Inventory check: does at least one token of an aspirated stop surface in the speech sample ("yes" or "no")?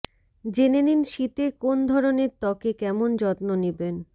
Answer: no